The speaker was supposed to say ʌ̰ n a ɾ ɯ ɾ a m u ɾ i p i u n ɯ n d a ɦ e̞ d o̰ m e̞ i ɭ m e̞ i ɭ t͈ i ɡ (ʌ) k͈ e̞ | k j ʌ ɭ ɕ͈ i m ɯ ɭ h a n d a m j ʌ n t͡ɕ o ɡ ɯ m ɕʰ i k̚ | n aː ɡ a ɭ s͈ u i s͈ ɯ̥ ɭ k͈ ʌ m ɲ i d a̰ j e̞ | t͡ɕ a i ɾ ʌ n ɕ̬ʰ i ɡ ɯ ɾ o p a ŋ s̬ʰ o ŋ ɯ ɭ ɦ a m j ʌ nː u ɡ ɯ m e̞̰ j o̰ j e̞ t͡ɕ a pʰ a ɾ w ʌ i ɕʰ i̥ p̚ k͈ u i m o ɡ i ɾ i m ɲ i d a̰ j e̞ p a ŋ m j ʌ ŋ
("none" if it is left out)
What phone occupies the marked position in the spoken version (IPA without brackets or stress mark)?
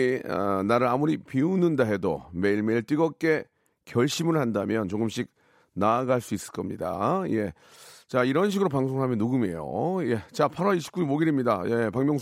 ʌ